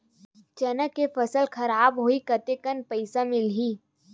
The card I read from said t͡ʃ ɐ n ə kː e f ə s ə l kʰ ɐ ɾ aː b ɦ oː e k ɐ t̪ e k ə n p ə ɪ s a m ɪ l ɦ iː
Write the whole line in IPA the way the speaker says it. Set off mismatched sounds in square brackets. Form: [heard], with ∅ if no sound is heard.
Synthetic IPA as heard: t͡ʃ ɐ n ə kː e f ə s ə l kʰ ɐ ɾ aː b ɦ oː [i] k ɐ t̪ e k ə n p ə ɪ s a m ɪ l ɦ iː